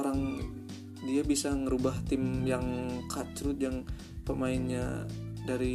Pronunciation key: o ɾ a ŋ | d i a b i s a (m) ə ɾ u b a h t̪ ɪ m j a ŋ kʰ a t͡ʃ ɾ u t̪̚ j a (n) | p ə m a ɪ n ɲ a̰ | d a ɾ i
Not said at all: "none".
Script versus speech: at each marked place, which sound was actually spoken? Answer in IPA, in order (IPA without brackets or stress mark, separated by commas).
ŋ, ŋ